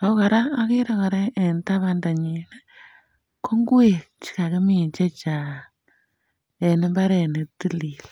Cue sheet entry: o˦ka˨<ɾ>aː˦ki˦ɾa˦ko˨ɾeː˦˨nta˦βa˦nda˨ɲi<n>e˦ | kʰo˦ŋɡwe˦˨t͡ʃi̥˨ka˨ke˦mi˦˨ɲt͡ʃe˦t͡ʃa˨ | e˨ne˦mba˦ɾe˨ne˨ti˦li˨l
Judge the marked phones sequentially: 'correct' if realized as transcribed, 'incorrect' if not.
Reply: correct, correct

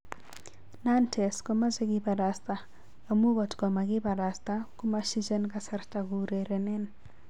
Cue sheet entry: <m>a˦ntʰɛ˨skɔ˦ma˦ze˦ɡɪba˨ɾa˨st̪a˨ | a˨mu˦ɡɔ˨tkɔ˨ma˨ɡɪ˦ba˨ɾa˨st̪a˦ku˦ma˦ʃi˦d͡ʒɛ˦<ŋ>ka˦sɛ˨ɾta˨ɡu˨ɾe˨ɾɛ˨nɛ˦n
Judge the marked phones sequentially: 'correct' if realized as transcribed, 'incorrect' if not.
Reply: incorrect: n, incorrect: n

